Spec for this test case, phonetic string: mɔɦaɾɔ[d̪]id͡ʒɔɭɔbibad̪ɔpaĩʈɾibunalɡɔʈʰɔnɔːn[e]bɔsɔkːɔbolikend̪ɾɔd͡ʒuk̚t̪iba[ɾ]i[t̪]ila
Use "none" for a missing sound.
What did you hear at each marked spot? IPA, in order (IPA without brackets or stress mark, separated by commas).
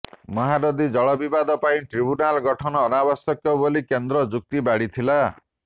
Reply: d̪, a, ɽ, t̪ʰ